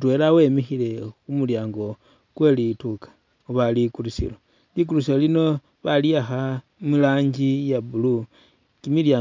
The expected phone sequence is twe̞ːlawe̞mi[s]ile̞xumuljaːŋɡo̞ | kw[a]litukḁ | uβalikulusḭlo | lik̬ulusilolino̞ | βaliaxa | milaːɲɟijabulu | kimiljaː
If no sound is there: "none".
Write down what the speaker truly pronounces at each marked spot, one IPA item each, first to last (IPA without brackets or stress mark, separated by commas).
x, e